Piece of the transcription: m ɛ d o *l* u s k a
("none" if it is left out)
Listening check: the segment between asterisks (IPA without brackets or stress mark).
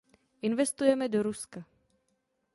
ɾ